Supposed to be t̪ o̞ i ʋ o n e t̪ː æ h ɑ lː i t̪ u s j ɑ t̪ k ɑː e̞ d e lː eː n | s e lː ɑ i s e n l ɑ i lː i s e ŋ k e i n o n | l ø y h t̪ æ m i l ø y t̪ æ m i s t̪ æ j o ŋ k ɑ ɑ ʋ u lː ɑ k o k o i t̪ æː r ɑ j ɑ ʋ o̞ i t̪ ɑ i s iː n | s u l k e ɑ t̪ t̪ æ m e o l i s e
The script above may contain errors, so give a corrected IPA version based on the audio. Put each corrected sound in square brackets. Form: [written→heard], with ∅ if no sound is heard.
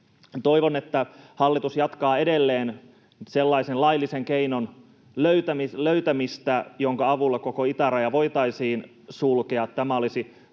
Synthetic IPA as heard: t̪ o̞ i ʋ o n e t̪ː æ h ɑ lː i t̪ u s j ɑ t̪ k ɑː e̞ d e lː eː n | s e lː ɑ i s e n l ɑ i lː i s e ŋ k e i n o n | l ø y [h→∅] t̪ æ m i l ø y t̪ æ m i s t̪ æ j o ŋ k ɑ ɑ ʋ u lː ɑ k o k o i t̪ [æː→æ] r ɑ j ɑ ʋ o̞ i t̪ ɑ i s iː n | s u l k e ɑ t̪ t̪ æ m [e→æ] o l i s [e→i]

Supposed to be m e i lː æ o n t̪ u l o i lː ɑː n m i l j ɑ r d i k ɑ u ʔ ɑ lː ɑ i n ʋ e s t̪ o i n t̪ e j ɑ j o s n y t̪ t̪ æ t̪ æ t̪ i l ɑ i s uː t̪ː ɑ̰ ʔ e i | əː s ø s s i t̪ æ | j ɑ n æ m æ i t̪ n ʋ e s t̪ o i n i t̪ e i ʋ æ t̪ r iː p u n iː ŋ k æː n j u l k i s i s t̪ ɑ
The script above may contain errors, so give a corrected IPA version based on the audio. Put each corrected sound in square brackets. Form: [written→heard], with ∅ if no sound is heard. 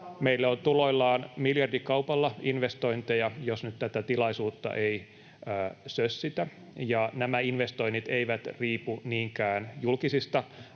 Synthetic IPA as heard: m e i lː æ o n t̪ u l o i lː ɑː n m i l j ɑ r d i k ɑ u [ʔ→p] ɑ lː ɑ i n ʋ e s t̪ o i n t̪ e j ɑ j o s n y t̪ t̪ æ t̪ æ t̪ i l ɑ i s uː t̪ː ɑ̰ ʔ e i | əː s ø s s i t̪ æ | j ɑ n æ m æ i [t̪→∅] n ʋ e s t̪ o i n i t̪ e i ʋ æ t̪ r iː p u n iː ŋ k æː n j u l k i s i s t̪ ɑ

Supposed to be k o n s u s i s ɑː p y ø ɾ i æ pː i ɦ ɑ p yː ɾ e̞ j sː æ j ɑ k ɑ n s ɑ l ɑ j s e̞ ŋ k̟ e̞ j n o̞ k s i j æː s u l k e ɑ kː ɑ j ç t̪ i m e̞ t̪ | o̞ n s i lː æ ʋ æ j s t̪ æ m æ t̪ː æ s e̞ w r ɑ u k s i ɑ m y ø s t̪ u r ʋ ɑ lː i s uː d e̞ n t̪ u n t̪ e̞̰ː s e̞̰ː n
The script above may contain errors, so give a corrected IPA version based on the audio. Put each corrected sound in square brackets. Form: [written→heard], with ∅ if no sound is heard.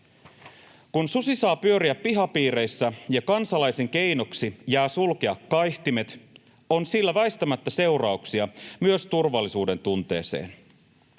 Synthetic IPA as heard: k [o→u] n s u s i s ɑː p y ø ɾ i æ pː i ɦ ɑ p [yː→iː] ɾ e̞ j sː æ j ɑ k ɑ n s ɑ l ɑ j s e̞ ŋ k̟ e̞ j n o̞ k s i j æː s u l k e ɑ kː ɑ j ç t̪ i m e̞ t̪ | o̞ n s i lː æ ʋ æ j s t̪ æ m æ t̪ː æ s e̞ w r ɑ u k s i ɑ m y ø s t̪ u r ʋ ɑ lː i s uː d e̞ n t̪ u n t̪ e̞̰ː s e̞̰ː n

